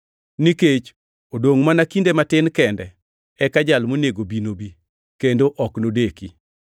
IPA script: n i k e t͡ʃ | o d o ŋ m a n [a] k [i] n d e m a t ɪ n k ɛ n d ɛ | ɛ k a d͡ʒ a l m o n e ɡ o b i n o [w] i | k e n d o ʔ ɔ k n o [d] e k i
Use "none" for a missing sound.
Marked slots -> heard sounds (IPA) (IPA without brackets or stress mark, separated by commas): a, i, b, d